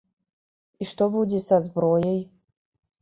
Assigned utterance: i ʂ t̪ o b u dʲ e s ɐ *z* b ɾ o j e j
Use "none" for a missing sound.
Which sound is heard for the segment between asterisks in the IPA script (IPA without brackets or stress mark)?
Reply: z